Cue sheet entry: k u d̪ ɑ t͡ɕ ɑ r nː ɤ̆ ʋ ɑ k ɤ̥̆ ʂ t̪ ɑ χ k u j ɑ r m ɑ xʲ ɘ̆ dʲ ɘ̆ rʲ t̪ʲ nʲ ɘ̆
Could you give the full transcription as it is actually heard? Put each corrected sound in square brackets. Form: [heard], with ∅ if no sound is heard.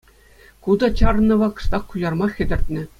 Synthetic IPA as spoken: k u d̪ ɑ t͡ɕ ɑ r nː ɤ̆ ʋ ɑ k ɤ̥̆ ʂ t̪ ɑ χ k u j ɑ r m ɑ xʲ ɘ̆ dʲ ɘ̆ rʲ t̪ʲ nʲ ɘ̆